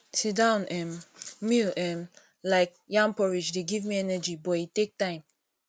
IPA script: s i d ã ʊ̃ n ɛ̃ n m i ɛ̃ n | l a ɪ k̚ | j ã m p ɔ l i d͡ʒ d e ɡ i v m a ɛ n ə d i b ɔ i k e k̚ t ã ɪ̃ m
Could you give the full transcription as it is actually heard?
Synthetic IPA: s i d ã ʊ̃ n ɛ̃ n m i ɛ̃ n | l a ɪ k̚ | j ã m p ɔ ɹ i d͡ʒ d e ɡ i v m i ɛ n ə d͡ʒ i b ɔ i t e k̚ t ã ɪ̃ m